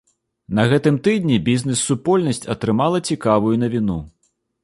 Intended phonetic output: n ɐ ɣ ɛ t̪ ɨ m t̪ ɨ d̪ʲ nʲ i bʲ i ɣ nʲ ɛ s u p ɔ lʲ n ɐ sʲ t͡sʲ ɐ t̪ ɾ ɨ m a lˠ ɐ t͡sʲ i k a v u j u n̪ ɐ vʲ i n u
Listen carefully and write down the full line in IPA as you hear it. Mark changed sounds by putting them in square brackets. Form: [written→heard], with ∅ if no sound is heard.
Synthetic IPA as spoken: n ɐ ɣ ɛ t̪ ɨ m t̪ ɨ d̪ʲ nʲ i bʲ i [ɣ→z] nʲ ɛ [s→sː] u p ɔ lʲ n ɐ sʲ t͡sʲ ɐ t̪ ɾ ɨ m a lˠ ɐ t͡sʲ i k a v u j u n̪ ɐ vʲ i n u